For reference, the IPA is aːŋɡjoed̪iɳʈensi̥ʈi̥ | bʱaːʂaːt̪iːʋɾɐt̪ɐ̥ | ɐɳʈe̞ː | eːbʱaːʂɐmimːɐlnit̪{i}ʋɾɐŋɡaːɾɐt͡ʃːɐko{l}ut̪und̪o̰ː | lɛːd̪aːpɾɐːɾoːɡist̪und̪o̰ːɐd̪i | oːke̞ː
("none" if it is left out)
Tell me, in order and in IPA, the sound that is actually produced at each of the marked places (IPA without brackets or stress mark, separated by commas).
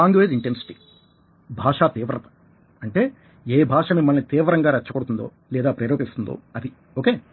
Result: iː, ɽ